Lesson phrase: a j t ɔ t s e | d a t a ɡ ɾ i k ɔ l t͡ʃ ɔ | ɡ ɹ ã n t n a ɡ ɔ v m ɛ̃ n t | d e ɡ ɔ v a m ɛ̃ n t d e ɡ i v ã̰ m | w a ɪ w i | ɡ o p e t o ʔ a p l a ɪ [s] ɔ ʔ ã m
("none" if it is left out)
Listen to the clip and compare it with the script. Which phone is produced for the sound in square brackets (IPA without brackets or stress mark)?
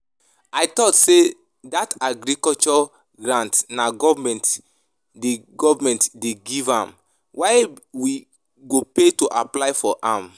f